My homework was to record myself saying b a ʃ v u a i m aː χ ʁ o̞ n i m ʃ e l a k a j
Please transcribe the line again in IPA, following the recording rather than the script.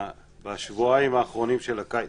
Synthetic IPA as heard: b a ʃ v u a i m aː χ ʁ o̞ n i m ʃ e l a k a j